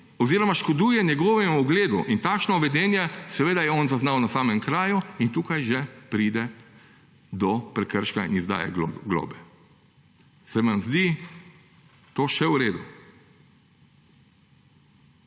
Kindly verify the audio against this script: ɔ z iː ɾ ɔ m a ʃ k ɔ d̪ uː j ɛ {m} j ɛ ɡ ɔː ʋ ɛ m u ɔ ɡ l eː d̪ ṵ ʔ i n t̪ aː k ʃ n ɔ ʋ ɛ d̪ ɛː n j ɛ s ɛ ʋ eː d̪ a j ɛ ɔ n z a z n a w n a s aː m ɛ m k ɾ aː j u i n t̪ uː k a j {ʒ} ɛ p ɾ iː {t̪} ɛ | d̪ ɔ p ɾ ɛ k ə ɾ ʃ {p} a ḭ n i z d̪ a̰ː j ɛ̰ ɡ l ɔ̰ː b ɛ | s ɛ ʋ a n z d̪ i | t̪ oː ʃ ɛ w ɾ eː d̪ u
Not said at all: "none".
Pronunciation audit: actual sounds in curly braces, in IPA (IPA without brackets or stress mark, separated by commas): n, ʒ, d̪, k